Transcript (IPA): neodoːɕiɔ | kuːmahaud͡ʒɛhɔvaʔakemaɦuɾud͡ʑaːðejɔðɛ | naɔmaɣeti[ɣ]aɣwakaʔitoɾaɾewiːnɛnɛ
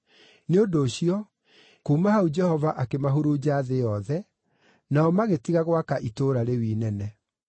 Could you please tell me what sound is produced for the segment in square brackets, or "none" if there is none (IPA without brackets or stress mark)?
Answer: ɣ